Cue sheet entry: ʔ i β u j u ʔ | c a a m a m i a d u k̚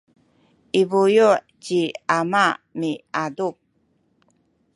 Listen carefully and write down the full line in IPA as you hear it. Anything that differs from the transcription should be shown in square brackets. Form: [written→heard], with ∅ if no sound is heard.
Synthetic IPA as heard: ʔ i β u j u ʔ | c [a→i] a m a m i a d u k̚